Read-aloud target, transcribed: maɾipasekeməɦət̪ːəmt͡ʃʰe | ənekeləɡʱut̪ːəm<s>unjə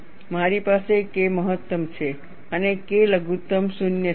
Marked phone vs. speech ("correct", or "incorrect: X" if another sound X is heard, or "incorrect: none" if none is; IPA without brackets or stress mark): correct